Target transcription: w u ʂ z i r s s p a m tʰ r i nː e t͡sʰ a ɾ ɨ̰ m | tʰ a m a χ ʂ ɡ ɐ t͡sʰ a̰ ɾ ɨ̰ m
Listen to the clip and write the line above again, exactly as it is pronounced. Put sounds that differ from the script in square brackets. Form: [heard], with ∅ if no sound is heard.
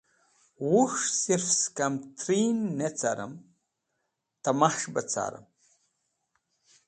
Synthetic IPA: w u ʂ [s] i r [f] s [k] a m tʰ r i nː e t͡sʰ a ɾ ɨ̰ m | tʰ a m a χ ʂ [b] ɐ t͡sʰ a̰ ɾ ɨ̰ m